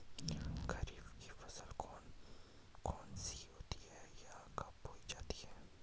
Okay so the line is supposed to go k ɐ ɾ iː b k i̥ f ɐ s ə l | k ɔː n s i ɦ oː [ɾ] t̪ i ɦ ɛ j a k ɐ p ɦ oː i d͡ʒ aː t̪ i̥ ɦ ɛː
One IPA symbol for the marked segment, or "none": none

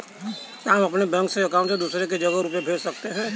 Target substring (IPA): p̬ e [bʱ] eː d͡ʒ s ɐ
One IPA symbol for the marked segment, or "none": bʱ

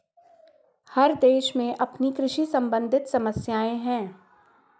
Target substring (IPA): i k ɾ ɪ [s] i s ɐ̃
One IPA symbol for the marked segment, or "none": ʃ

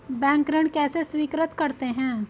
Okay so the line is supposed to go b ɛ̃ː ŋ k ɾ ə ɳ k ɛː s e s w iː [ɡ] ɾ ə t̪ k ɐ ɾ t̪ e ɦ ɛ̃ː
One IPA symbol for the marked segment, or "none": k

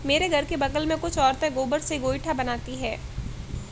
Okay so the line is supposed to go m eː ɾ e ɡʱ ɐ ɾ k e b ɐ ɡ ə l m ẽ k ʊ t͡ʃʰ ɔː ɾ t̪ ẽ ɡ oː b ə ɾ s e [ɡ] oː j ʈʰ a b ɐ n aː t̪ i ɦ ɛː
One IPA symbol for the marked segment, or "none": ɡ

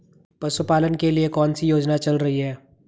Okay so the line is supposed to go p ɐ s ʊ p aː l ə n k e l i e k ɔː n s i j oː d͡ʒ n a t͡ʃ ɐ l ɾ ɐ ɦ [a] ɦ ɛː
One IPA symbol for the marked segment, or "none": i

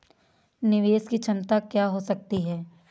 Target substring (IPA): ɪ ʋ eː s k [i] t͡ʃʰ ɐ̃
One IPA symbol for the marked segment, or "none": i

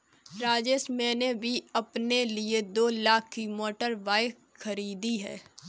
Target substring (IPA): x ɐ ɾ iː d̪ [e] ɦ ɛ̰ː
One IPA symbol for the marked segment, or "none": i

